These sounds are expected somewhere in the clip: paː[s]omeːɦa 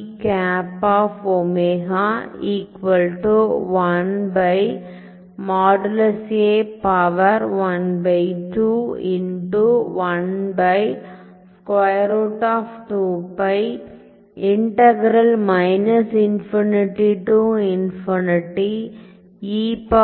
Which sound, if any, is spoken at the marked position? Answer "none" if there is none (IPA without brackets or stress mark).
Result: f